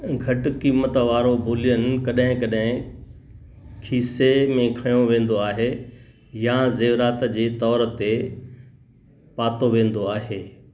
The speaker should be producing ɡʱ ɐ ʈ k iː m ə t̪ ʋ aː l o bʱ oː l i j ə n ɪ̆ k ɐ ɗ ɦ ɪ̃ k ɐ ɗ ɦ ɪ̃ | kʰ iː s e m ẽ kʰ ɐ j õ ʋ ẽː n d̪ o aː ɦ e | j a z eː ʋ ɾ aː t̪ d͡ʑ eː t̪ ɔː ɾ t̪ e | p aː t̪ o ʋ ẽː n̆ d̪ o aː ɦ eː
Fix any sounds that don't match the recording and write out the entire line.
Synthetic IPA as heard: ɡʱ ɐ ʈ k iː m ə t̪ ʋ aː ɾ o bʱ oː l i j ə n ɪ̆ k ɐ ɗ ɦ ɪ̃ k ɐ ɗ ɦ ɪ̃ | kʰ iː s e m ẽ kʰ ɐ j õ ʋ ẽː n d̪ o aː ɦ e | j a z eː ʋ ɾ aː t̪ d͡ʑ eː t̪ ɔː ɾ t̪ e | p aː t̪ o ʋ ẽː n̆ d̪ o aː ɦ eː